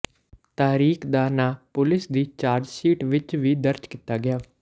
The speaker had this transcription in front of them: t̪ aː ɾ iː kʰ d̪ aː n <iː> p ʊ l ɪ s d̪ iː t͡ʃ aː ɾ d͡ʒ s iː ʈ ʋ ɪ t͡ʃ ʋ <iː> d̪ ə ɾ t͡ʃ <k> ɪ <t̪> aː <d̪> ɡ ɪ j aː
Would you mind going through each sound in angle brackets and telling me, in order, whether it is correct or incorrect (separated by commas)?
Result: incorrect, correct, correct, correct, incorrect